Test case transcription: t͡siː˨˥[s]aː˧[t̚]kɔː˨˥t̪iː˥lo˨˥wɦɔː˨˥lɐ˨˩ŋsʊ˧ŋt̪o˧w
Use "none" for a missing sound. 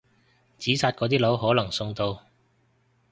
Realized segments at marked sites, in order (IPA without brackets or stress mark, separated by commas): s, t̚